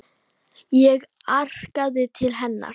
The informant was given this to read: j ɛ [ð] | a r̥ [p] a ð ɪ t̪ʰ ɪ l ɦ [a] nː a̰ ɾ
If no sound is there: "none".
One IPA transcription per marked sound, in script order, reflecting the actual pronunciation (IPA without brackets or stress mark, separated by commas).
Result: ɣ, k, ɛ